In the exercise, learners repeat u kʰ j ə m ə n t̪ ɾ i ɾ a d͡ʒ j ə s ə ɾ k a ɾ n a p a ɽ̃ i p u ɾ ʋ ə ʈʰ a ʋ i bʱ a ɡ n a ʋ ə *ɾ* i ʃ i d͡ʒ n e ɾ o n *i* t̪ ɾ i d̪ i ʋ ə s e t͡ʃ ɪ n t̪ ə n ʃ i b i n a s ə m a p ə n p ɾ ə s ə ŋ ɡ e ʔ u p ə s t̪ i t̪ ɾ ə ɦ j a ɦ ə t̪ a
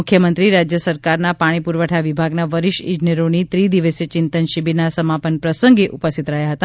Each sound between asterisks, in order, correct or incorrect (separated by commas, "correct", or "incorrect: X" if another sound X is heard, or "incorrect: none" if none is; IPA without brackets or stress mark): correct, correct